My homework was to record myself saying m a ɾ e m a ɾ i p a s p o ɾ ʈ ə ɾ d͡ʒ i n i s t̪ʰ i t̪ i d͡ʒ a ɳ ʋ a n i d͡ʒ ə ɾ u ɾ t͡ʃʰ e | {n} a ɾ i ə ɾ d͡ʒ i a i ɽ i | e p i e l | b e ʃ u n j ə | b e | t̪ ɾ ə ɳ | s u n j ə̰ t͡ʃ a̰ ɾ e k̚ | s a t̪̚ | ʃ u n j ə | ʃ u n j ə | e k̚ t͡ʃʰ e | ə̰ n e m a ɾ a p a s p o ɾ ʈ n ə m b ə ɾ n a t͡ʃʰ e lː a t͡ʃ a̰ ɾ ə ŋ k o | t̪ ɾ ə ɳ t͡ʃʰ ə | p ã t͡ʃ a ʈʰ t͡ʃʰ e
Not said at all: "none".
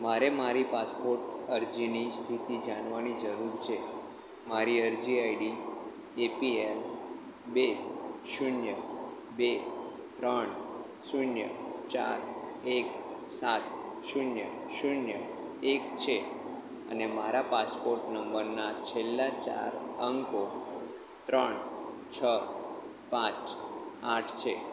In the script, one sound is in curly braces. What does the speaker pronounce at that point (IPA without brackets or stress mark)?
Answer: m